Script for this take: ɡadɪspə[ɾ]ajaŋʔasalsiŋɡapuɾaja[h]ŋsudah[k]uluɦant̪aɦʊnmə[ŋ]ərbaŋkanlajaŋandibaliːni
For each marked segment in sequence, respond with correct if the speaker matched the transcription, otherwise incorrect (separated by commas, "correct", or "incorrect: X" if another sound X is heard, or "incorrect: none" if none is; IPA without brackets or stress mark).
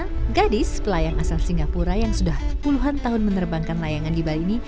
incorrect: l, incorrect: none, incorrect: p, incorrect: n